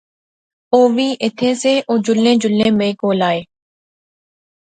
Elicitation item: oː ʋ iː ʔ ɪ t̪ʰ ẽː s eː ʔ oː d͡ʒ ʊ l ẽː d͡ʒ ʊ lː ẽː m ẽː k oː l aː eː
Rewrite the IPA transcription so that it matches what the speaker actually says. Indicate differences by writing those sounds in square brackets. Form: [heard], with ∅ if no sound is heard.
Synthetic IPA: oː ʋ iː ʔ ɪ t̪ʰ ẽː s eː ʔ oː d͡ʒ ʊ l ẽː d͡ʒ ʊ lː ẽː m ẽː k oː l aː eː